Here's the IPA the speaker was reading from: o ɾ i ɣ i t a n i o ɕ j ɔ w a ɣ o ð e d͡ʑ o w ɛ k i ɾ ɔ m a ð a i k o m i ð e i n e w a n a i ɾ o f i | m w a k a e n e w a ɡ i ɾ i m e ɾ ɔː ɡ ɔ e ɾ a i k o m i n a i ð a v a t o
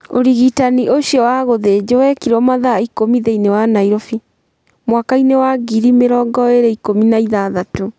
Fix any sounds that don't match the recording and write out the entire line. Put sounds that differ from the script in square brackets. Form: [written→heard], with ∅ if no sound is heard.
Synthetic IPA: o ɾ i ɣ i t a n i o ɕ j ɔ w a ɣ o ð e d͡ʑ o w ɛ k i ɾ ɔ m a ð a i k o m i ð e i n e w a n a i ɾ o f i | m w a k a [e→i] n e w a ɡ i ɾ i m e ɾ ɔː ɡ ɔ e ɾ [a→e] i k o m i n a i ð a [v→ð] a t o